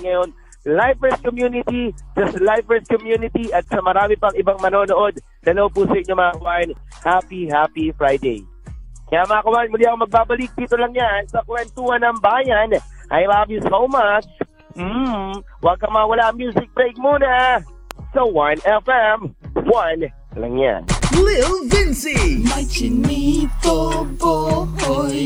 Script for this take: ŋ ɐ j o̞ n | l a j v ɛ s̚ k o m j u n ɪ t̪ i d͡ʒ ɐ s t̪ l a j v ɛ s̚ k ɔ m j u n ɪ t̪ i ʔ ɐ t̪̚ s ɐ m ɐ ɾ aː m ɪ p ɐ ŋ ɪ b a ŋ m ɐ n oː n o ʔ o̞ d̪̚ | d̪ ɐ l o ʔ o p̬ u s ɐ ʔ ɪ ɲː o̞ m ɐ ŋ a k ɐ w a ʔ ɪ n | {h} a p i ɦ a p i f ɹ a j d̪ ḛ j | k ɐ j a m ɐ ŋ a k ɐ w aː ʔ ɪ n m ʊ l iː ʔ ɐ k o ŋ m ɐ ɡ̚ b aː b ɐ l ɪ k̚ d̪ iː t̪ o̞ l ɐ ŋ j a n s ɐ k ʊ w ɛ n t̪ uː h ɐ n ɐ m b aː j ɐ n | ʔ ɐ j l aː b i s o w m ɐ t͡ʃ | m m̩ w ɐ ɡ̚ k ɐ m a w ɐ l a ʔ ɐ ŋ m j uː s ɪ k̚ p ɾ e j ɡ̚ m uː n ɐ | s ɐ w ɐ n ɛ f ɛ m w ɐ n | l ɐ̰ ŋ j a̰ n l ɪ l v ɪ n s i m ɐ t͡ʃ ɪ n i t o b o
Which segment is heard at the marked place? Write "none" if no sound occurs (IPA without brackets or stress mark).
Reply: h